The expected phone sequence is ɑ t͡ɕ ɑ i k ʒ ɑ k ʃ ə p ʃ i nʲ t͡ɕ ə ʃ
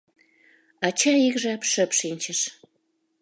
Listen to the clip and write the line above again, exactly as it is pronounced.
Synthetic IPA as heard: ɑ t͡ɕ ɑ i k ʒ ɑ p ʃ ə p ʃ i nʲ t͡ɕ ə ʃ